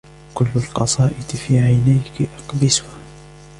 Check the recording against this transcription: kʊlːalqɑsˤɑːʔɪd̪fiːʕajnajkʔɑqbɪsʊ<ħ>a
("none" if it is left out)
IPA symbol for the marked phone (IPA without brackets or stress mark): h